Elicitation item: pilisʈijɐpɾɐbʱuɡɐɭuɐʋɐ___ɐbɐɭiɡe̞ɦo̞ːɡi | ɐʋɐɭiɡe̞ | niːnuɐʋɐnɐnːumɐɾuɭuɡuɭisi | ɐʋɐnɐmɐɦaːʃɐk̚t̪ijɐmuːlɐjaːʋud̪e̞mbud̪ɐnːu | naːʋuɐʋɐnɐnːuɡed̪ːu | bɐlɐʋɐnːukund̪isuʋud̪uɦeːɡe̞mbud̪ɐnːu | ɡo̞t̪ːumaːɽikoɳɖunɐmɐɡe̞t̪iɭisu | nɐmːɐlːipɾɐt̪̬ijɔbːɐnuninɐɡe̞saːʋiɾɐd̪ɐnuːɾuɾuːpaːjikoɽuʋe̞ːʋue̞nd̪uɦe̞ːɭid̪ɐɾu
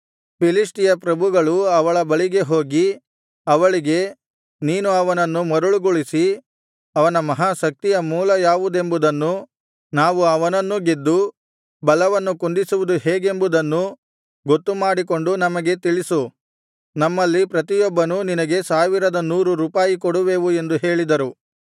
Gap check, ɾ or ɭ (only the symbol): ɭ